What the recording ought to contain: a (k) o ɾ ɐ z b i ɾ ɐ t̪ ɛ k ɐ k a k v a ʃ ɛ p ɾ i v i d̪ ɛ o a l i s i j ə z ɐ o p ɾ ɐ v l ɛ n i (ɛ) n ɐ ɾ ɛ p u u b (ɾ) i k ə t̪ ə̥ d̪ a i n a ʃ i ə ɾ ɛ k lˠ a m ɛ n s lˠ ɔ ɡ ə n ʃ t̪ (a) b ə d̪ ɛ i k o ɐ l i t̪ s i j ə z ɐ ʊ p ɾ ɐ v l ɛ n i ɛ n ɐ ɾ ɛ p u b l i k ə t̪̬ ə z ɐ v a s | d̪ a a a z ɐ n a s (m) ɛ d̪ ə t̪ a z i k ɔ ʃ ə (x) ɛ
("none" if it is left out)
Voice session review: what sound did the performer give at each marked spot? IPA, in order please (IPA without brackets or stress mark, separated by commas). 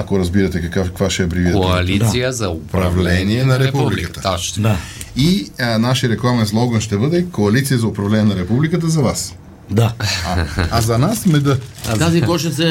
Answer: k, ɛ, l, ɛ, m, s